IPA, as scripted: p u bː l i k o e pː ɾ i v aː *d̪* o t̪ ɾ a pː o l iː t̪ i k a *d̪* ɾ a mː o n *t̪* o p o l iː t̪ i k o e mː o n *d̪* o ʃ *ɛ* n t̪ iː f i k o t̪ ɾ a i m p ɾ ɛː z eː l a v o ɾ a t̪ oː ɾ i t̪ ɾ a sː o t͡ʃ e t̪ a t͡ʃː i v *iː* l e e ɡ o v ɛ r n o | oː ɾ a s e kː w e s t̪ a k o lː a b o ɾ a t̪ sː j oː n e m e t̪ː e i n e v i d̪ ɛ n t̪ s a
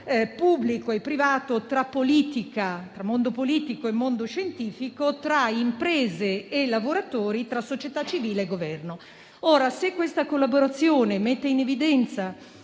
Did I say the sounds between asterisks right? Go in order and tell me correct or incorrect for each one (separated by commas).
incorrect, incorrect, incorrect, correct, incorrect, correct